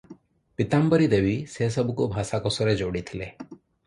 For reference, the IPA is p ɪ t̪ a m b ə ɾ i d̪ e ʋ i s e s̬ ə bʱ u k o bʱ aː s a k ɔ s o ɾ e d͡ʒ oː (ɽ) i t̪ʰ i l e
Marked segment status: correct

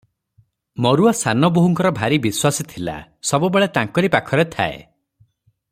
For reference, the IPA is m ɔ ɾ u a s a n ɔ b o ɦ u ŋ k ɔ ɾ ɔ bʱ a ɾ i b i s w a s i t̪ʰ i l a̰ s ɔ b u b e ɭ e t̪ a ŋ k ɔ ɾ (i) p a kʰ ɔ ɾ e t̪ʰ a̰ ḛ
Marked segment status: correct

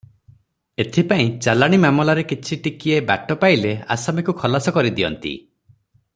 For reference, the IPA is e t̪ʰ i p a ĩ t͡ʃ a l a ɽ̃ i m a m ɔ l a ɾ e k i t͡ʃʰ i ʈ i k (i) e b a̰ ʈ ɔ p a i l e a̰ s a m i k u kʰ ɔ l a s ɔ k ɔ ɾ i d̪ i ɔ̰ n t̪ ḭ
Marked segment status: correct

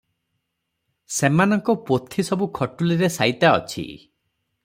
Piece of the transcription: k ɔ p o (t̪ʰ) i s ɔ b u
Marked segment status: correct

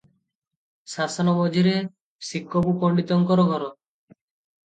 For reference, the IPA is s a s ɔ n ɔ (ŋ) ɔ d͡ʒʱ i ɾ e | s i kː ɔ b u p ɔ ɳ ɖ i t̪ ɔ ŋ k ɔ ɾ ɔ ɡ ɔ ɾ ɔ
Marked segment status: incorrect: m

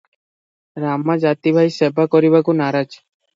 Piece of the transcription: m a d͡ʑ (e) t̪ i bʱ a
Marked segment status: incorrect: a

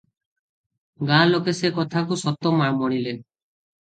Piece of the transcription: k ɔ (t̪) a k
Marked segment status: incorrect: t̪ʰ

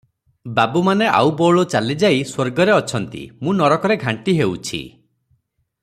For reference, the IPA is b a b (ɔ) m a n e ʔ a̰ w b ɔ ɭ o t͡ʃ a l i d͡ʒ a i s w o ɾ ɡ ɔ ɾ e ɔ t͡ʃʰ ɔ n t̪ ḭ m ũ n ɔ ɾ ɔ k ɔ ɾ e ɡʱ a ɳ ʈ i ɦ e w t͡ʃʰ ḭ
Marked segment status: incorrect: u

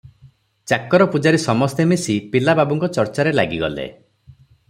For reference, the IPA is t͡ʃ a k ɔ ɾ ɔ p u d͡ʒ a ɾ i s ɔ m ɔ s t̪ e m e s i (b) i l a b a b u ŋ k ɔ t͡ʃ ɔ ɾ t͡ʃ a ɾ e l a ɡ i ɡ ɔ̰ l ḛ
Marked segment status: incorrect: p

